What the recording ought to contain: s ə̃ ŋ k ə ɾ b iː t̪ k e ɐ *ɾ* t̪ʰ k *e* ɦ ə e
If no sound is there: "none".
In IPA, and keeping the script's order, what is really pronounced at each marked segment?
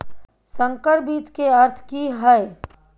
ɾ, i

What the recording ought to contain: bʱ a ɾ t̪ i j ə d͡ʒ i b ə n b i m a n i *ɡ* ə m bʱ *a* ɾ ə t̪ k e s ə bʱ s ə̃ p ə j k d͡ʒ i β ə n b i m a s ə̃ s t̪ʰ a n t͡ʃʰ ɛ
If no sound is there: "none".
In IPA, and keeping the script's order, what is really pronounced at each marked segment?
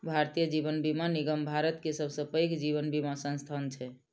ɡ, a

